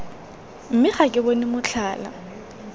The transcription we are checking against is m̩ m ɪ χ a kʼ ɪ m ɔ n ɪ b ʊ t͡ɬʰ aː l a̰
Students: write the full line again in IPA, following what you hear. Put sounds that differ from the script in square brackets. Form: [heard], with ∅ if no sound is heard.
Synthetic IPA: m̩ m ɪ χ a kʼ ɪ [b] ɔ n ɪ [m] ʊ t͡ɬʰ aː l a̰